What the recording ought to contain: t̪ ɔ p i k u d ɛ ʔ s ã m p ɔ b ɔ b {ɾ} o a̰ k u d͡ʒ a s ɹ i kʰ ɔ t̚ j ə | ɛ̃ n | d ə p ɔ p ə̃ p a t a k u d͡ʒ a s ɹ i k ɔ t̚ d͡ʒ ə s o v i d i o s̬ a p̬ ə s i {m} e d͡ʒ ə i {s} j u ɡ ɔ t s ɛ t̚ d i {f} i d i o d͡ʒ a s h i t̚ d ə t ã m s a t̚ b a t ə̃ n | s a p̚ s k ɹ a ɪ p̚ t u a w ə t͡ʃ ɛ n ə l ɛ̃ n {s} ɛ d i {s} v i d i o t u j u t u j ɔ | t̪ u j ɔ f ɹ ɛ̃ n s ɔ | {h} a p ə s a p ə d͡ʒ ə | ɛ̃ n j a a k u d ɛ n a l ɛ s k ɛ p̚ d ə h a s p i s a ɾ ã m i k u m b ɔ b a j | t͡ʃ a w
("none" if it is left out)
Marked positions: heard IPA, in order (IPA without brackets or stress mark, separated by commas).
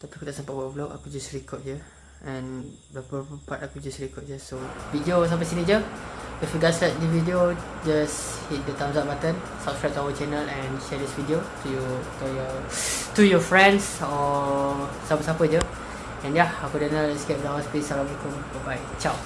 l, n, f, v, ʃ, s, s